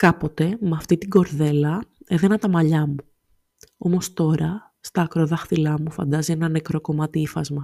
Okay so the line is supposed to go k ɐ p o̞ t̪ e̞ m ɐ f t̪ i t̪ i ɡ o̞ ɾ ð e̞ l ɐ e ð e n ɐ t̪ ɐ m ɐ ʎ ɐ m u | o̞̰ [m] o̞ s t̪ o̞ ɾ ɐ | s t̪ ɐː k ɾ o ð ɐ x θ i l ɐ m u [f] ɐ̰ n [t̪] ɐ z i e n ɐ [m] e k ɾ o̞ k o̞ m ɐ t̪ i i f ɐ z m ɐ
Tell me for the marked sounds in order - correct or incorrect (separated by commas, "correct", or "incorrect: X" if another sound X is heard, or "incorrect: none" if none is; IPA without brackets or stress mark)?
correct, correct, incorrect: d̪, incorrect: n